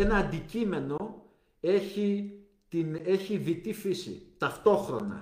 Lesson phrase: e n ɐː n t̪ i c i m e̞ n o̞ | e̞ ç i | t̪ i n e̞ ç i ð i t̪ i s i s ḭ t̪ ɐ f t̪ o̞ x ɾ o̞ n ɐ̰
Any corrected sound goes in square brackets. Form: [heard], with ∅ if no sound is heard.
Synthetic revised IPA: e n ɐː n [d̪] i c i m e̞ n o̞ | e̞ ç i | t̪ i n e̞ ç i ð i t̪ i [f] i s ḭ t̪ ɐ f t̪ o̞ x ɾ o̞ n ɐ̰